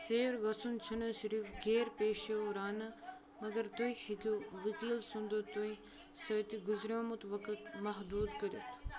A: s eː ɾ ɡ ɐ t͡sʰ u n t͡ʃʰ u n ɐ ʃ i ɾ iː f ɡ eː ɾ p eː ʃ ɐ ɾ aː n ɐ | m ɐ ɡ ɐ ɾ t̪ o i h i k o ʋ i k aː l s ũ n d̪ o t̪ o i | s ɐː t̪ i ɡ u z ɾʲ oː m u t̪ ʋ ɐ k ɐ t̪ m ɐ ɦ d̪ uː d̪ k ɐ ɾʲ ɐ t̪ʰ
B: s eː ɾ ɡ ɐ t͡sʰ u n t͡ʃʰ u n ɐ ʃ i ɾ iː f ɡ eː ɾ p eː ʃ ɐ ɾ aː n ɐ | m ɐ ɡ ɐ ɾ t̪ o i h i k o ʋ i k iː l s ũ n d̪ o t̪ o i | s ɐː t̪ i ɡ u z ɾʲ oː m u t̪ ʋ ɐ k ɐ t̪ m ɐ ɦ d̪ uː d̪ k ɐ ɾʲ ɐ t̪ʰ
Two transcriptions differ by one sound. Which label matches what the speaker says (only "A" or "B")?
B